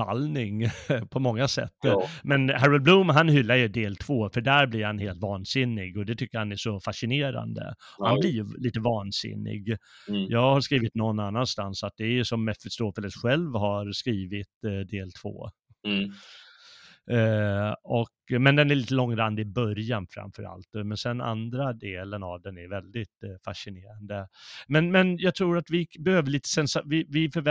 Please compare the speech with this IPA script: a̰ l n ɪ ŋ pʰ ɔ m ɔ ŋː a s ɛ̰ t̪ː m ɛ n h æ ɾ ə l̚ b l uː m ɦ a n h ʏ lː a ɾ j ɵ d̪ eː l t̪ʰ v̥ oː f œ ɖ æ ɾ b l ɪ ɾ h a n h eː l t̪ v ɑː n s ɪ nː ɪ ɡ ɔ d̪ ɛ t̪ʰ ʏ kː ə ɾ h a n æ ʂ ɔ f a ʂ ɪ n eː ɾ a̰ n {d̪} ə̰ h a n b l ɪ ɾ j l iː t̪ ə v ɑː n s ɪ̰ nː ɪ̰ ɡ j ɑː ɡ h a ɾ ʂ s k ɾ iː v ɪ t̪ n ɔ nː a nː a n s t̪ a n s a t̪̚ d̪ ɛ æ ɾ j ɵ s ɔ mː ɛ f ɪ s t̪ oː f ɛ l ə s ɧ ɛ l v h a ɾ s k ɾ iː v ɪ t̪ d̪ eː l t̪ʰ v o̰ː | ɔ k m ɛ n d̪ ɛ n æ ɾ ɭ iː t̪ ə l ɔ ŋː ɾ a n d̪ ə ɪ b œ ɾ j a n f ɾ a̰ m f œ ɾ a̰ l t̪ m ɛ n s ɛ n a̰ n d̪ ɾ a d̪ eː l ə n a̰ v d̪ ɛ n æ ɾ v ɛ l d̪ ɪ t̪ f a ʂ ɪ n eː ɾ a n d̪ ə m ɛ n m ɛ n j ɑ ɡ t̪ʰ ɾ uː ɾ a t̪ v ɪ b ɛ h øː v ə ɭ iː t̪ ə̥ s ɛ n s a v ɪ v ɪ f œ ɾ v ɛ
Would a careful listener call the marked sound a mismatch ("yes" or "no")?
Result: no